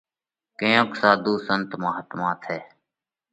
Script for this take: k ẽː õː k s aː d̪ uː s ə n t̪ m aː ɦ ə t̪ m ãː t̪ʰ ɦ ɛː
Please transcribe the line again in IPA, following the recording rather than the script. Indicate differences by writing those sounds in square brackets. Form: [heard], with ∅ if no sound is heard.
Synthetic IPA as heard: k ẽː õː k s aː d̪ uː s ə n t̪ m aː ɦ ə t̪ m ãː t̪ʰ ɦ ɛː

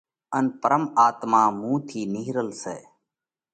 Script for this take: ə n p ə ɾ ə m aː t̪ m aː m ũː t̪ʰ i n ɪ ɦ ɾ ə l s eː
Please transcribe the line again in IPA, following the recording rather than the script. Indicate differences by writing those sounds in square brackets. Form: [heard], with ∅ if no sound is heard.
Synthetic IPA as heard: ə n p ə ɾ ə m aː t̪ m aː m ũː t̪ʰ [iː] n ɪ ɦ ɾ ə l s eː

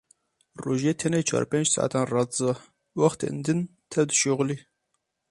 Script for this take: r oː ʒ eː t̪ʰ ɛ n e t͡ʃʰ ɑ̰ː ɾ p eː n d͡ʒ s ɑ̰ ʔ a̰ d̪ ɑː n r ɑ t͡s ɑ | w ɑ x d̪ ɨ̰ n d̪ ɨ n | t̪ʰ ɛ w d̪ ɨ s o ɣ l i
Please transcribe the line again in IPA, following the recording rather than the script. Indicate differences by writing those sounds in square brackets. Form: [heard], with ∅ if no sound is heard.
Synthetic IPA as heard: r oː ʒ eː t̪ʰ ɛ n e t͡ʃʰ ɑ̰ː ɾ p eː n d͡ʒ s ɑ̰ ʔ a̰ [t̪] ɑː n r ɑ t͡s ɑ | w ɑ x [t̪] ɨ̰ n d̪ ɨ n | t̪ʰ ɛ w d̪ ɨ [ʃ] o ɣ l i

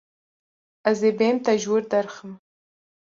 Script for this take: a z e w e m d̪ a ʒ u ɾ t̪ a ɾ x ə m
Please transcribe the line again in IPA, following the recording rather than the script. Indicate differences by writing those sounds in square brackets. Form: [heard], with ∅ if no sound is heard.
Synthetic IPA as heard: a z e [b] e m [t̪] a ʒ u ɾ [d̪] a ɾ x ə m

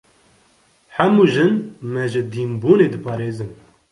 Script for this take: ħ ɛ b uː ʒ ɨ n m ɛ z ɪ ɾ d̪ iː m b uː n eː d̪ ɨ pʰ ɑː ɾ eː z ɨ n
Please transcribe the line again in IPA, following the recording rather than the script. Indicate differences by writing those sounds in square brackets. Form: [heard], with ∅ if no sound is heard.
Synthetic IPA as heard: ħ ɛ [m] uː ʒ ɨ n m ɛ [ʒ] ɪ [∅] d̪ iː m b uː n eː d̪ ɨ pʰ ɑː ɾ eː z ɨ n

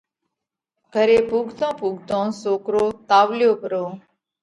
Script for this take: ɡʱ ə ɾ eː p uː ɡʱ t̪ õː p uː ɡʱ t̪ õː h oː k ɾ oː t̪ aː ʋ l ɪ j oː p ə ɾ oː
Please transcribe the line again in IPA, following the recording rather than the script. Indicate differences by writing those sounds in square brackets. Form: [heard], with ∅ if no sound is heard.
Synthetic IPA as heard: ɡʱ ə ɾ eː p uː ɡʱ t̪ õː p uː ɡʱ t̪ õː [s] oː k ɾ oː t̪ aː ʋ l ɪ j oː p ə ɾ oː

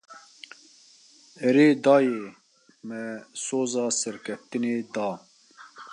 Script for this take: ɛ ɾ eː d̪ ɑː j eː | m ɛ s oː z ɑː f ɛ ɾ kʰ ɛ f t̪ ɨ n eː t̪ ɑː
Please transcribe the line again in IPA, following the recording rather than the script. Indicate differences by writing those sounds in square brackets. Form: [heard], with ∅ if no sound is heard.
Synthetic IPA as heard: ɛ ɾ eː d̪ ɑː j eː | m ɛ s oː z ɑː [s] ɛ ɾ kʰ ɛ f t̪ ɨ n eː [d̪] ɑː

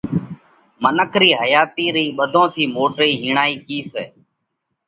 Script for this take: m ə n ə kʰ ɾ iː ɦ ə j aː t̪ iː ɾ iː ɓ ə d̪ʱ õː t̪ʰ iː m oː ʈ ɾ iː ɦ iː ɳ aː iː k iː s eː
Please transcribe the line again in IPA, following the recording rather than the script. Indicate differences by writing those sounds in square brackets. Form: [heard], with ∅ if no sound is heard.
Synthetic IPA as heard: m ə n ə kʰ ɾ iː ɦ ə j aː t̪ iː ɾ iː ɓ ə d̪ʱ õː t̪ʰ iː m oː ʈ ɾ iː ɦ iː ɳ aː iː k iː s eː

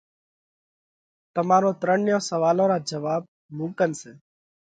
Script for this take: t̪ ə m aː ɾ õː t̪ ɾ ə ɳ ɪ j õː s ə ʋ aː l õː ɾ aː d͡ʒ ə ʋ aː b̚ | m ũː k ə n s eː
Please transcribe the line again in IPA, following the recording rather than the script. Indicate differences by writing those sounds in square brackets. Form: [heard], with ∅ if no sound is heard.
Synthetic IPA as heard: t̪ ə m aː ɾ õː t̪ ɾ ə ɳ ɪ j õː s ə ʋ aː l õː ɾ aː d͡ʒ ə ʋ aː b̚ | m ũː k ə n s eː

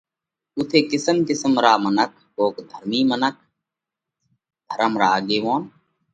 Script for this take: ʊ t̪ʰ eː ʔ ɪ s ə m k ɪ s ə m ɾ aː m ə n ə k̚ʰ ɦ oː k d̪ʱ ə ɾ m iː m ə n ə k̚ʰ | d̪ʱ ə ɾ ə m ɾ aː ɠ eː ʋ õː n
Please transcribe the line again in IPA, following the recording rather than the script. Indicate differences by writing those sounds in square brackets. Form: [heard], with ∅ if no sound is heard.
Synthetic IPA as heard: ʊ t̪ʰ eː [k] ɪ s ə m k ɪ s ə m ɾ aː m ə n ə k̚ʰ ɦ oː k d̪ʱ ə ɾ m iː m ə n ə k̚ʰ | d̪ʱ ə ɾ ə m ɾ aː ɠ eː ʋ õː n

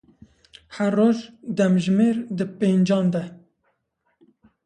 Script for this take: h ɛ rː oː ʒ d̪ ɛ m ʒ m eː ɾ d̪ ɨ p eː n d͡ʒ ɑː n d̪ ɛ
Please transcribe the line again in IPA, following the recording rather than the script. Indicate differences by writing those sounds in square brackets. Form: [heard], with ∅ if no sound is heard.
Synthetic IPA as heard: h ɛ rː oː ʒ d̪ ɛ m ʒ m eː ɾ d̪ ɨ p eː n d͡ʒ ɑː n d̪ ɛ

